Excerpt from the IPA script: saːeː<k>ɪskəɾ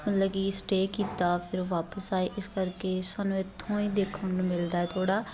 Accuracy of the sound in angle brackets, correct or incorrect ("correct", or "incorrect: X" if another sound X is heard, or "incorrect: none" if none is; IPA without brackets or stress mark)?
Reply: incorrect: ʔ